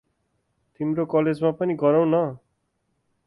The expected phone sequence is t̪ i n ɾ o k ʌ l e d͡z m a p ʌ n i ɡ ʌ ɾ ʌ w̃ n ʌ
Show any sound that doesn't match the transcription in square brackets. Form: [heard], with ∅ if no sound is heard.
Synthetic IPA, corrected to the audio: t̪ i [m] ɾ o k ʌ l e d͡z m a p ʌ n i ɡ ʌ ɾ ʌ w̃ n ʌ